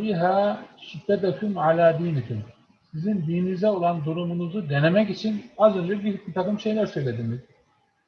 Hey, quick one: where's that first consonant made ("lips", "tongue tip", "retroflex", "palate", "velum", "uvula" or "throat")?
throat